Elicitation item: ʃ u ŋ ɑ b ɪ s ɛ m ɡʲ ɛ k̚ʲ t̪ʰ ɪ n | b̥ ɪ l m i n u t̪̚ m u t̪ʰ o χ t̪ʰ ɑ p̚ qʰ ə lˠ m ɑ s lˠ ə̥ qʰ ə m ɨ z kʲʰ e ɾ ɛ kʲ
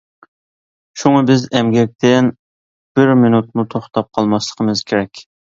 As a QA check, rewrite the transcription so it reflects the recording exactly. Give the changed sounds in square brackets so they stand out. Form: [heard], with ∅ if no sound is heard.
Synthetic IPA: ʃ u ŋ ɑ b ɪ [z] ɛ m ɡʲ ɛ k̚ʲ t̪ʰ ɪ n | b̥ ɪ [ɾ] m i n u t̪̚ m u t̪ʰ o χ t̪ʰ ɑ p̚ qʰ [ɑ] lˠ m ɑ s lˠ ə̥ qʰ ə m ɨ z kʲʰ e ɾ ɛ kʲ